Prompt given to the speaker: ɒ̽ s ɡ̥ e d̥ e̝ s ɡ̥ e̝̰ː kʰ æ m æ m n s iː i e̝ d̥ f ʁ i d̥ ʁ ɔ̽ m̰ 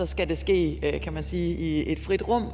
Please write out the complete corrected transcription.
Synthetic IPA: ɒ̽ s ɡ̥ æ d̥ e̝ s ɡ̥ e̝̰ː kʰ æ m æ n s iː i e̝ d̥ f ʁ i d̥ ʁ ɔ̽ m̰